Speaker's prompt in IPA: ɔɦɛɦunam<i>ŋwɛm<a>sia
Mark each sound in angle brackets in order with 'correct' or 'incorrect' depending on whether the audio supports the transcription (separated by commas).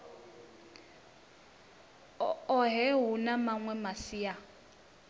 incorrect, correct